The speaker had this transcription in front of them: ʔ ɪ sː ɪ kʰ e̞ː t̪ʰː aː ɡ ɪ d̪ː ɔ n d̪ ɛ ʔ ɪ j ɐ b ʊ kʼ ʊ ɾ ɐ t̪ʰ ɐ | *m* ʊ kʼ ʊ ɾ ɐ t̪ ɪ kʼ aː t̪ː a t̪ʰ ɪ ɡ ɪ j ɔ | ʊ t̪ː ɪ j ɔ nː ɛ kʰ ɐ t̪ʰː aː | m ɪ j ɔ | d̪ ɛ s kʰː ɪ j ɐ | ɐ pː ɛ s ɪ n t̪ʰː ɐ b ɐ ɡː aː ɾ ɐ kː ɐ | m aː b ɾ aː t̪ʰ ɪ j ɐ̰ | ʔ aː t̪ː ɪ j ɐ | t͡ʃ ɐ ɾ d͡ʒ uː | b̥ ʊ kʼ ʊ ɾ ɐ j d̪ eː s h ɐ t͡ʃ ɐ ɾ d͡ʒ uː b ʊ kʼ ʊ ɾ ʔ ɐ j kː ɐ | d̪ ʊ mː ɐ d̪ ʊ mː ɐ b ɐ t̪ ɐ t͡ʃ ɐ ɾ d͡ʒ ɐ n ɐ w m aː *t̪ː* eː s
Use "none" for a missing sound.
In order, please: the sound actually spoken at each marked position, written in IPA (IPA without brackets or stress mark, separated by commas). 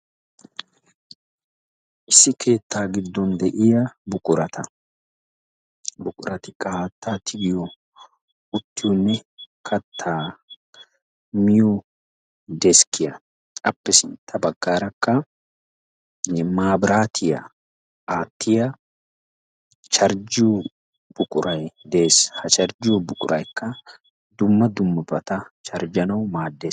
b, d̪ː